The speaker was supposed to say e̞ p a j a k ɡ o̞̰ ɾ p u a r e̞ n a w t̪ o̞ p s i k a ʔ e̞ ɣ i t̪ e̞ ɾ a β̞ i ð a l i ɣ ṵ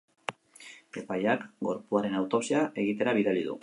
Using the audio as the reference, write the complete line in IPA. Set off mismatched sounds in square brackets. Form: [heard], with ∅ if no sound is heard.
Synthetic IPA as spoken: e̞ p a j a k ɡ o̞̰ ɾ p u a [ɾ] e̞ n a w t̪ o̞ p s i [∅] a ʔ e̞ ɣ i t̪ e̞ ɾ a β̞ i ð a l i [ð] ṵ